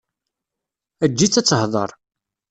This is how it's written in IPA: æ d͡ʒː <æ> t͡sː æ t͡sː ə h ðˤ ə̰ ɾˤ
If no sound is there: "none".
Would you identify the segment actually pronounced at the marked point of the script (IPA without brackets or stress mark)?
i